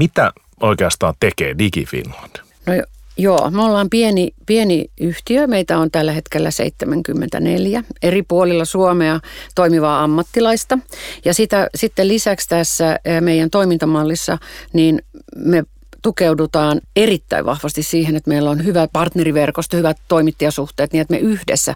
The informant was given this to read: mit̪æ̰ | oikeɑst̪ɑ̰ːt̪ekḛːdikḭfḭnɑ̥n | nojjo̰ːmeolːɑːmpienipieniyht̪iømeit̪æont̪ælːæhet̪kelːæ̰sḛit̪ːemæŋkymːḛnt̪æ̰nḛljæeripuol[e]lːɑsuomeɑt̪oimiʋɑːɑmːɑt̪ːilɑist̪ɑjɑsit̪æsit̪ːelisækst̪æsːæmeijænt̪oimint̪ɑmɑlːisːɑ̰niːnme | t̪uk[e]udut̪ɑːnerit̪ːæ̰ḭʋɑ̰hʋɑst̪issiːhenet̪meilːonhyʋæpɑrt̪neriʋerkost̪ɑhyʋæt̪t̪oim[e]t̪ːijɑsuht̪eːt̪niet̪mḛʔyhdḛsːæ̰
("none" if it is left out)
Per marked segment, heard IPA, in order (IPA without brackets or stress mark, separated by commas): i, e, i